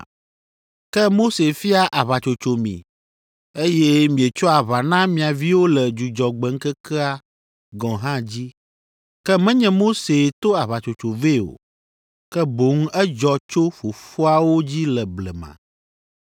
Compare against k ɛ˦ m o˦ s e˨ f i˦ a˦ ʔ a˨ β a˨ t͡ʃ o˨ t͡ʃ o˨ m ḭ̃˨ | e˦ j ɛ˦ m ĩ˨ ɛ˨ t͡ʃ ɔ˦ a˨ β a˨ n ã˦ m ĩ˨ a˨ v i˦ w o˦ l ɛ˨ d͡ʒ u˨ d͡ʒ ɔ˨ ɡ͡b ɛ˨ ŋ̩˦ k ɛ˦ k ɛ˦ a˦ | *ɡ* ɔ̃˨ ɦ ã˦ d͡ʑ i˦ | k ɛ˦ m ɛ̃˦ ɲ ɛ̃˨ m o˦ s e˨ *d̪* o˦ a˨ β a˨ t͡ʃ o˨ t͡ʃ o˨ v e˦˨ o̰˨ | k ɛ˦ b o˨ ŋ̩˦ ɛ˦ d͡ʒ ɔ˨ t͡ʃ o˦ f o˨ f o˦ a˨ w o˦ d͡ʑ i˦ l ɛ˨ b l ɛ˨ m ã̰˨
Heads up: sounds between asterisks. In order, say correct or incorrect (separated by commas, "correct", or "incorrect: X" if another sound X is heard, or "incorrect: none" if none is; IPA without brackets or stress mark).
correct, incorrect: t̪